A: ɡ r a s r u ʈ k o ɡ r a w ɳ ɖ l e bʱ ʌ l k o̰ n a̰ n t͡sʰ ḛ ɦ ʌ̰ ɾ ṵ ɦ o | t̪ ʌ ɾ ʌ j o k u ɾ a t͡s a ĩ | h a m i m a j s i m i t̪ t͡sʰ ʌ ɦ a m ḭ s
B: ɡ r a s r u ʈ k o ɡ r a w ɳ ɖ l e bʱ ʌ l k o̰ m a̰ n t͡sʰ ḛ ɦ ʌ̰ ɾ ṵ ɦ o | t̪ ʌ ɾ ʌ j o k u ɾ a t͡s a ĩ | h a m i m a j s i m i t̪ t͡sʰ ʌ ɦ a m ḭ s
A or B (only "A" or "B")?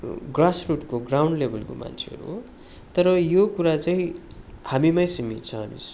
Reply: B